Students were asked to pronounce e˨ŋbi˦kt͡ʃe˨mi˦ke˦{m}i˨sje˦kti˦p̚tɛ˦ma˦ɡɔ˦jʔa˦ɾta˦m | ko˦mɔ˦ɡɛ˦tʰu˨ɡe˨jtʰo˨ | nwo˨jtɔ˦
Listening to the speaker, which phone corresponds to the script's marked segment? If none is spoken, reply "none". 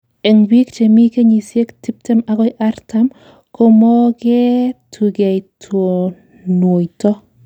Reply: ɲ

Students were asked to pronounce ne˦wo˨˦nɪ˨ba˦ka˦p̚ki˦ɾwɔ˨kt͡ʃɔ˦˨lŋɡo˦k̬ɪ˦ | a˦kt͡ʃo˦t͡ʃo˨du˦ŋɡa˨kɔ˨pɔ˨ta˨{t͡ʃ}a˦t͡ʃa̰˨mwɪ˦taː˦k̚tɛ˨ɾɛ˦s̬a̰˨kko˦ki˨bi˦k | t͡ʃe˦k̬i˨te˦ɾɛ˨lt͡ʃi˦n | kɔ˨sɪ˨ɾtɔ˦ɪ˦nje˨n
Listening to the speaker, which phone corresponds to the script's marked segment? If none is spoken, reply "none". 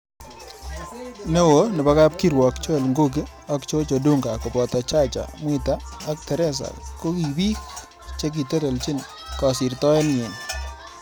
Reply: t͡ʃ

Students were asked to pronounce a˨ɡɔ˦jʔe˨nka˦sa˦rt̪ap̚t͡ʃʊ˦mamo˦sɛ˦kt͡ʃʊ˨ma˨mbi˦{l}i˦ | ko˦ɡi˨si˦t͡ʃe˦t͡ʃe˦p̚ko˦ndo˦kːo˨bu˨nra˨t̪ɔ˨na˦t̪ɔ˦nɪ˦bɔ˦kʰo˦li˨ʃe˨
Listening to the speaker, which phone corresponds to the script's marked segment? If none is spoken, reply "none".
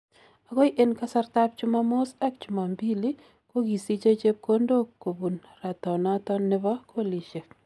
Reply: l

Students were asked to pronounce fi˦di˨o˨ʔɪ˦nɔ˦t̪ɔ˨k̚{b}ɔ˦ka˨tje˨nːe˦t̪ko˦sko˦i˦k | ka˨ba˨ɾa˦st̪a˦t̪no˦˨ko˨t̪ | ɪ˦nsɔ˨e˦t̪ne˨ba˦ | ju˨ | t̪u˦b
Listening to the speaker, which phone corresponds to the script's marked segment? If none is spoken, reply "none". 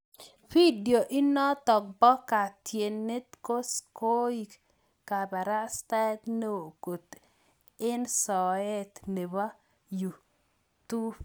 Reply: b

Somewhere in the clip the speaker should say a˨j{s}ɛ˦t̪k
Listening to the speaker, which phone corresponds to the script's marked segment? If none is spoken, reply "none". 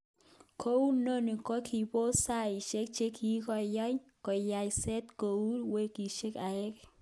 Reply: s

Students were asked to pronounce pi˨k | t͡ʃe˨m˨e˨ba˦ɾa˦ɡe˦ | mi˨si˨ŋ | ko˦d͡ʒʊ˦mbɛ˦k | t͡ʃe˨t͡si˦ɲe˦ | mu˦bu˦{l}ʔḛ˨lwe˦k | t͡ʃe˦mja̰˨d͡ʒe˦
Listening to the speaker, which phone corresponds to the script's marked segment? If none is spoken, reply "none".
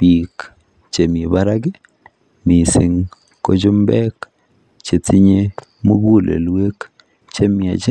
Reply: l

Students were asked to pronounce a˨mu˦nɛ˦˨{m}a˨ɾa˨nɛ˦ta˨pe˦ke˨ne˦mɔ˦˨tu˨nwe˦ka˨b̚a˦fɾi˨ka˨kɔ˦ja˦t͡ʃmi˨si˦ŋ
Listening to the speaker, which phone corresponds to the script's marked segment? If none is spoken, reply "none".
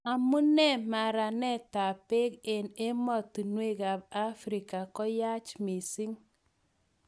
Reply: m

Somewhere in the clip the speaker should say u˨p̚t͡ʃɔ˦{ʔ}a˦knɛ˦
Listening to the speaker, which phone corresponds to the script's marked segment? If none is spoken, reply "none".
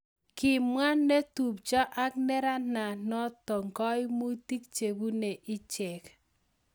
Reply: ʔ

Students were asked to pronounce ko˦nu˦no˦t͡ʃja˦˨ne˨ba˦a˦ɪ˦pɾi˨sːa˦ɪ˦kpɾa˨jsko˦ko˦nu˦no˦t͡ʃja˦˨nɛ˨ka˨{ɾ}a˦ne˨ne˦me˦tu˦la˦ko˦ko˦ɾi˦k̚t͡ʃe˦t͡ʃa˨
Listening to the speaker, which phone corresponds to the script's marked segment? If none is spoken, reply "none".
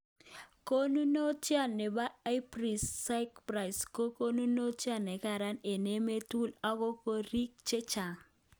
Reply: ɾ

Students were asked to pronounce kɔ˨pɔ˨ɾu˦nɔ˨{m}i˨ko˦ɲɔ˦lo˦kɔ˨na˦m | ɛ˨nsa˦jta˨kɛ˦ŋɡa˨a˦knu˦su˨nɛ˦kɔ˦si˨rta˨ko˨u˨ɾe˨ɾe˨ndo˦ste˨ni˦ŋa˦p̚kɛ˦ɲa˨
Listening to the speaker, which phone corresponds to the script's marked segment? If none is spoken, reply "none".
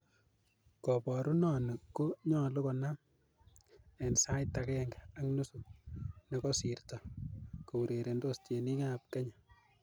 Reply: n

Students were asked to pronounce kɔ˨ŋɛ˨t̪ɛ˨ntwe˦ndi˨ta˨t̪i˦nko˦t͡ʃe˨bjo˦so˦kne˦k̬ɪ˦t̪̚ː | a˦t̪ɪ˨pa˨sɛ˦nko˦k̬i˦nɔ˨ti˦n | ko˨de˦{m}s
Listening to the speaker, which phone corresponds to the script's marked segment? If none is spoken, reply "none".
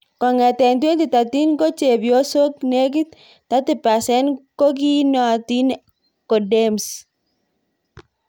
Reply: m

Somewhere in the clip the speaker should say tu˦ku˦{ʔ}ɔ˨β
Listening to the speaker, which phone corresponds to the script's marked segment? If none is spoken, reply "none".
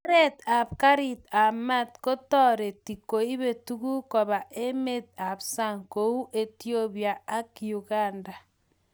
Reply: k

